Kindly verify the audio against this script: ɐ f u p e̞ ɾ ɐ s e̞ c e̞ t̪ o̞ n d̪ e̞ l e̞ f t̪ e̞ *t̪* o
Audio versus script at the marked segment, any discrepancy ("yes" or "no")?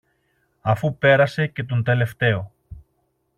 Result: yes